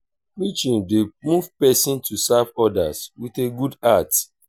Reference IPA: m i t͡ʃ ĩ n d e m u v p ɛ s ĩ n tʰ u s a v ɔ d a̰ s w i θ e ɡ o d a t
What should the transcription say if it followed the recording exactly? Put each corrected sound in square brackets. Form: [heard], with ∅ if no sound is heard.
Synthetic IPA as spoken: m i t͡ʃ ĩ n d e m u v p ɛ s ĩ n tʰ u s a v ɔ d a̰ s w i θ e ɡ [u] d a t